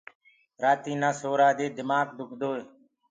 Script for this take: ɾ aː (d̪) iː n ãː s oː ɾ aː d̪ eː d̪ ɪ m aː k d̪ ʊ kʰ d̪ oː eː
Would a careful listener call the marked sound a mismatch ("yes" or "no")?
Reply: yes